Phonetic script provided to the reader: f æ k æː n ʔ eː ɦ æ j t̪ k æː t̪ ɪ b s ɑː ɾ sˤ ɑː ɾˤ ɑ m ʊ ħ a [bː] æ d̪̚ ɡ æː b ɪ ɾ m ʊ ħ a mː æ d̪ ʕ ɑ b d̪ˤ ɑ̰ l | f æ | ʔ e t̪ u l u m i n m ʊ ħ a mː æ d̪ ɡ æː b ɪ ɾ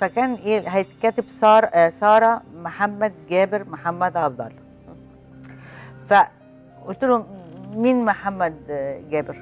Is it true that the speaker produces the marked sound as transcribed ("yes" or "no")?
no